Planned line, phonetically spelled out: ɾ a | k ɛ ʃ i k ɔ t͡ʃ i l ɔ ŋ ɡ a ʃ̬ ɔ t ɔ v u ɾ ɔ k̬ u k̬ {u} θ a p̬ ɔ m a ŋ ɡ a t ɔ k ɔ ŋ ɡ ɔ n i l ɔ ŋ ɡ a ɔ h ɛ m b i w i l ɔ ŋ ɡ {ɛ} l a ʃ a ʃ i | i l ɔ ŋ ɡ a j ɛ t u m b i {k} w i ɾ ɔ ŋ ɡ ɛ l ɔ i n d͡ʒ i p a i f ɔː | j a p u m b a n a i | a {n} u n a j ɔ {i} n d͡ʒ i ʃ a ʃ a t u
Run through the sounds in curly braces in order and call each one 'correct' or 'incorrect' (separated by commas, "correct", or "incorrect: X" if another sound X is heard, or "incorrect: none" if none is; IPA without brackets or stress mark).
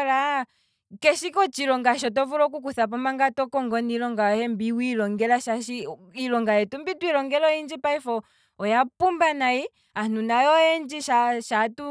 correct, correct, incorrect: t, correct, incorrect: ɛ